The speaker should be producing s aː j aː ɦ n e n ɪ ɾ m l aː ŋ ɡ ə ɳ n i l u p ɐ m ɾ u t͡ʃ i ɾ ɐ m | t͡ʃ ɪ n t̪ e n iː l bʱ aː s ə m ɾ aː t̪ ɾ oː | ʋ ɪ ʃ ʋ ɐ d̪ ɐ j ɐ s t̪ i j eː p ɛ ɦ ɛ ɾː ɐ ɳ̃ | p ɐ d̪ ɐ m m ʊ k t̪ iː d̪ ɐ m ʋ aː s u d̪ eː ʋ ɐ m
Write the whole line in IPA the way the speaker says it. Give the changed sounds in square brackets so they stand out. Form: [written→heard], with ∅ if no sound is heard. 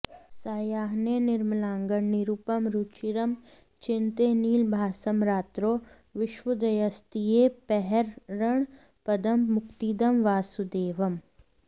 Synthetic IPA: s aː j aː ɦ n e n ɪ ɾ m l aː ŋ ɡ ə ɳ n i [l→ɾ] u p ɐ m ɾ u t͡ʃ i ɾ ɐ m | t͡ʃ ɪ n t̪ e n iː l bʱ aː s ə m ɾ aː t̪ ɾ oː | ʋ ɪ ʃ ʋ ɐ d̪ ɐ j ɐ s t̪ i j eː p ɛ ɦ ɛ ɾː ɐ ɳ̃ | p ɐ d̪ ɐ m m ʊ k t̪ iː d̪ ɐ m ʋ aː s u d̪ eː ʋ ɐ m